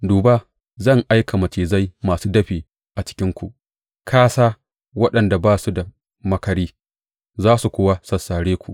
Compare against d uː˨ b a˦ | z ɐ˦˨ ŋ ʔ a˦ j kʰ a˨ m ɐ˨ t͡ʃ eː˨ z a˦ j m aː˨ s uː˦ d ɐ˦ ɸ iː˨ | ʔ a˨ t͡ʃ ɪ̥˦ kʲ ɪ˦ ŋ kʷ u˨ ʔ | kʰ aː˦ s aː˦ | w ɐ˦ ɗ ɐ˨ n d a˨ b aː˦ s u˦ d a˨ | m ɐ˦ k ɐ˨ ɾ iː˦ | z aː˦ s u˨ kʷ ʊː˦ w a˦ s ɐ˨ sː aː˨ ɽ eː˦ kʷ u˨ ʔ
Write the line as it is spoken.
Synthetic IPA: d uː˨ b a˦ | z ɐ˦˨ ŋ ʔ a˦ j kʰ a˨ m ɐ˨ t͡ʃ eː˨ z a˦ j m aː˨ s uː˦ d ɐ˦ ɸ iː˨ | ʔ a˨ t͡ʃ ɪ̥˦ kʲ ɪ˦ ŋ kʷ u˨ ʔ | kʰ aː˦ s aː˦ | w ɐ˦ ɗ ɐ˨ n d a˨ b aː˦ s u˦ d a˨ | m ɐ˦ k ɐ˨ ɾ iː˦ | z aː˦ s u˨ kʷ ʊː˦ w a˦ s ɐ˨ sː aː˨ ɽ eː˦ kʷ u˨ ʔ

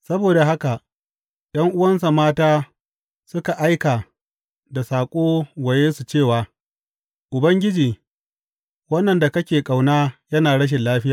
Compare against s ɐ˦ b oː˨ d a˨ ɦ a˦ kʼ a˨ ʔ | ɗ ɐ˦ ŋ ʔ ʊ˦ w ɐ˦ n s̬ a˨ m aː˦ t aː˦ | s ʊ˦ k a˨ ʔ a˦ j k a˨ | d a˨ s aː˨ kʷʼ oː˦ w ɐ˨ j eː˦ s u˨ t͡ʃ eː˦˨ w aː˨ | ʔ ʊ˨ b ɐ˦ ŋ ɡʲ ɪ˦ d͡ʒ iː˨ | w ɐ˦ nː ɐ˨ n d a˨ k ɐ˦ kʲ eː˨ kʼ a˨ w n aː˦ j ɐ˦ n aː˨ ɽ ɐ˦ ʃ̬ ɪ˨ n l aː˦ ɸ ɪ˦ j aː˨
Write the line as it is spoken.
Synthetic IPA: s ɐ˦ b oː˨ d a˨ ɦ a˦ k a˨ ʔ | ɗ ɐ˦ ŋ ʔ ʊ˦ w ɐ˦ n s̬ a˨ m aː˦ t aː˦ | s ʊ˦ k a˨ ʔ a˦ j k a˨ | d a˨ s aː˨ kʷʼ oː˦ w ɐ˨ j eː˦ s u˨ t͡ʃ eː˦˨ w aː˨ | ʔ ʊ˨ b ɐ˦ ŋ ɡʲ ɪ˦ d͡ʒ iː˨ | w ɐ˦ nː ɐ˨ n d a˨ k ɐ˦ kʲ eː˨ kʼ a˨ w n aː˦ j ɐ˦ n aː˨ ɽ ɐ˦ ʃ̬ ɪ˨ n l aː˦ ɸ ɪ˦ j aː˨

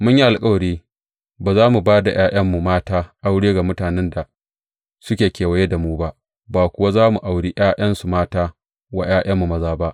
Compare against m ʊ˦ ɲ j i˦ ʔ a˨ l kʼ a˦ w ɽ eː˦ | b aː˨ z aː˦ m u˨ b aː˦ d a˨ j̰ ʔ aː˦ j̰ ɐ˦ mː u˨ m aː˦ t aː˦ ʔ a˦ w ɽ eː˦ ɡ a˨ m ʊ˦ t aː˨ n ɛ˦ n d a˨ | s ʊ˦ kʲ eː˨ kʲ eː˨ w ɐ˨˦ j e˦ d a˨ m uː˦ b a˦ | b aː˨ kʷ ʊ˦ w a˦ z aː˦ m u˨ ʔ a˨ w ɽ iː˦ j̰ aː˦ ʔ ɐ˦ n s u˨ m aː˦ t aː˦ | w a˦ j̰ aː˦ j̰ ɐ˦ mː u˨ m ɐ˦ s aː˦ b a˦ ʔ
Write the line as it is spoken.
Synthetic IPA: m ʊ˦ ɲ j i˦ ʔ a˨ l kʼ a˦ w ɽ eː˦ | b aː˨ z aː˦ m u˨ b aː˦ d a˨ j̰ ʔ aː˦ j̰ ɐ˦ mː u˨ m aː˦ t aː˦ ʔ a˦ w ɽ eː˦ ɡ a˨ m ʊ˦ t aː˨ n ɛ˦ n d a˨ | s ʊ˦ kʲ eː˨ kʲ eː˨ w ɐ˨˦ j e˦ d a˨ m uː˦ b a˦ | b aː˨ kʷ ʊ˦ w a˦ z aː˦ m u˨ ʔ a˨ w ɽ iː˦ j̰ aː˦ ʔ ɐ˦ n s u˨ m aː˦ t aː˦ | w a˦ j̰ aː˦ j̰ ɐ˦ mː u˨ m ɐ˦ z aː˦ b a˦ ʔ

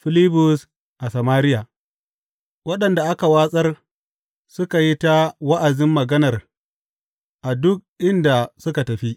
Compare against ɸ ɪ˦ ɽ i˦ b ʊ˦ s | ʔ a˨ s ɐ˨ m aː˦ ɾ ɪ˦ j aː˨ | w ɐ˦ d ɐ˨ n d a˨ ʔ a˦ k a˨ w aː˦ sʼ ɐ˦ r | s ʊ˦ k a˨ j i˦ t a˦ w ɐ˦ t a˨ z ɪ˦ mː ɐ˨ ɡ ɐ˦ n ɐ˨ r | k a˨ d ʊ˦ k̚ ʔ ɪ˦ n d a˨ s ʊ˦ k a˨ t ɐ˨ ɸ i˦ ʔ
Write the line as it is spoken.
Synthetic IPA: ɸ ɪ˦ l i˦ b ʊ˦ s | ʔ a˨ s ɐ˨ m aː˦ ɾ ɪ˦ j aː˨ | w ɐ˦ ɗ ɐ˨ n d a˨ ʔ a˦ k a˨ w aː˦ sʼ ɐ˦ r | s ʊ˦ k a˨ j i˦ t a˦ w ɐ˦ ʔ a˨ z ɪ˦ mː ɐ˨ ɡ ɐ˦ n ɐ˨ r | ʔ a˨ d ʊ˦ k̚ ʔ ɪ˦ n d a˨ s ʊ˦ k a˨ t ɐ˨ ɸ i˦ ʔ

